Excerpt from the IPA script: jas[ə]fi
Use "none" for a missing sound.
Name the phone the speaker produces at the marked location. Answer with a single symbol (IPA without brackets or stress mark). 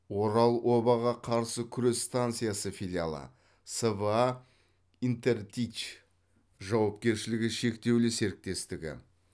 ə